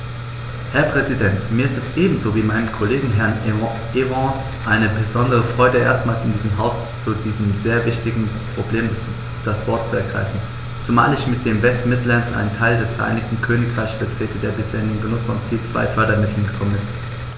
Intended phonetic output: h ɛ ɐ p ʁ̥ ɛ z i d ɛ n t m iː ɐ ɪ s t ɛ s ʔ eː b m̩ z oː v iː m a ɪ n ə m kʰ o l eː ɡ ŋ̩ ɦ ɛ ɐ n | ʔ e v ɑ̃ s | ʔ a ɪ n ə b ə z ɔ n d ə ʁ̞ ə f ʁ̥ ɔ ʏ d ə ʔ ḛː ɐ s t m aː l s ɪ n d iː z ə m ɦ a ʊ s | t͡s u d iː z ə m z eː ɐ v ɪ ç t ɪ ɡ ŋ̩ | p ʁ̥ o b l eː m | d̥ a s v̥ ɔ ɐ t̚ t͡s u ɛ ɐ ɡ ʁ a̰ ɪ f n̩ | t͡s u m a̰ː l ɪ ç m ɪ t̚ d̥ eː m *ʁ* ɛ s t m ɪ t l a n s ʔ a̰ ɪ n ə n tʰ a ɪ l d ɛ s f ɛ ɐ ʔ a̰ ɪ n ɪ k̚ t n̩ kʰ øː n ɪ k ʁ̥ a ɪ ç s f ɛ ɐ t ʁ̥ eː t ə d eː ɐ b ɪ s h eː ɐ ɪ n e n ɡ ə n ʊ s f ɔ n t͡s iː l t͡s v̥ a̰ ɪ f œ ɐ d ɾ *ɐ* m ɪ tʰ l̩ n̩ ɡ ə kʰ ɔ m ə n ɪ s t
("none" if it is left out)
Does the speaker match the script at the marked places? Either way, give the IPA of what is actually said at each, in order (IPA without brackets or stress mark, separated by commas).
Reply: v, ɐ